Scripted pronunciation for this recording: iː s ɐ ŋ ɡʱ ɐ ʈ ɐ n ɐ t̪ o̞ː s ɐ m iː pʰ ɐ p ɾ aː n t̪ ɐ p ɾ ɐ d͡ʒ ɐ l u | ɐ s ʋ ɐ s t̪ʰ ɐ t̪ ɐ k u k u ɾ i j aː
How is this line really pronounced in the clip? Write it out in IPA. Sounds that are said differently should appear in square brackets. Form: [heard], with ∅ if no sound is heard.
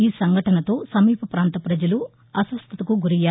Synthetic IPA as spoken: iː s ɐ ŋ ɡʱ ɐ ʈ ɐ n ɐ t̪ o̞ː s ɐ m iː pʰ ɐ p ɾ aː n t̪ ɐ p ɾ ɐ d͡ʒ ɐ l u | ɐ s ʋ ɐ s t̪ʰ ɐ t̪ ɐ k u [ɡ] u ɾ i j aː